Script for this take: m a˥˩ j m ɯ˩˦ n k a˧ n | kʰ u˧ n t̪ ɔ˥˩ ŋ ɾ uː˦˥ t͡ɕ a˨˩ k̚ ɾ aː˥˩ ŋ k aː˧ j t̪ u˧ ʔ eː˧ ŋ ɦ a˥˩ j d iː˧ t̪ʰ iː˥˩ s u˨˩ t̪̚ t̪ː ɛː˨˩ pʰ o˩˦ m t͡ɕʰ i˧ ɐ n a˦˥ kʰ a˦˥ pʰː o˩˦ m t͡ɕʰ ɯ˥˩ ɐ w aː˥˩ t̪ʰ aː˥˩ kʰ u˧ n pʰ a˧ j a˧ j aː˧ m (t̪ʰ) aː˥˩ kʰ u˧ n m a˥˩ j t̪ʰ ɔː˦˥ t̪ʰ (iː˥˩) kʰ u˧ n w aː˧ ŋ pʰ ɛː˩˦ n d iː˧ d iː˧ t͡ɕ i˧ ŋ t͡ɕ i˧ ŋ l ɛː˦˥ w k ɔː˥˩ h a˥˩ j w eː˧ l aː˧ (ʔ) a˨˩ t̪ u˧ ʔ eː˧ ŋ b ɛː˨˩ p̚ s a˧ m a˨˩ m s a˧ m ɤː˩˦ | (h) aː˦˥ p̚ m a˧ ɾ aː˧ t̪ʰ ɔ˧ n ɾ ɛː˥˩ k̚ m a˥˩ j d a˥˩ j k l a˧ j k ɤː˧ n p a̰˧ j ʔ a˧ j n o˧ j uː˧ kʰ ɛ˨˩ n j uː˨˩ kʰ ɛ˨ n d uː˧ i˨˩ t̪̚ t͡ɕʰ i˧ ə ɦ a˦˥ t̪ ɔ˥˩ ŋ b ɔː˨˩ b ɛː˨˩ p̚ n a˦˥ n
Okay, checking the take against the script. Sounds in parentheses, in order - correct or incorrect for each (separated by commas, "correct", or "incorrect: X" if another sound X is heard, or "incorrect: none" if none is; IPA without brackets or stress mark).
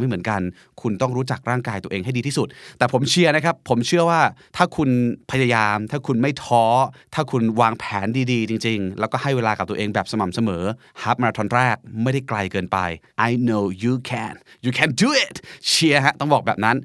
correct, incorrect: aː˥˩, incorrect: k, correct